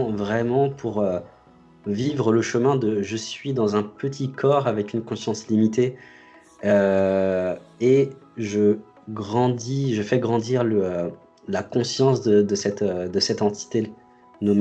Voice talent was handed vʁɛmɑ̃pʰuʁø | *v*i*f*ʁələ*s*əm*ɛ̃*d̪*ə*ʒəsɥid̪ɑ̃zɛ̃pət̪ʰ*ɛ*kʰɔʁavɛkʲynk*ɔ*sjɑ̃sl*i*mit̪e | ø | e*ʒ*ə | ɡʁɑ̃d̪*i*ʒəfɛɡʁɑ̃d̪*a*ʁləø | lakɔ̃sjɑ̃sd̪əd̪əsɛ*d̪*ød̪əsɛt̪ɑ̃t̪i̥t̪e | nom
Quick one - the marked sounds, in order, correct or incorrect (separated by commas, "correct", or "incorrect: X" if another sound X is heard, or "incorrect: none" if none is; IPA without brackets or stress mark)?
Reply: correct, incorrect: v, incorrect: ʃ, correct, correct, incorrect: i, incorrect: ɔ̃, correct, correct, correct, incorrect: i, incorrect: t̪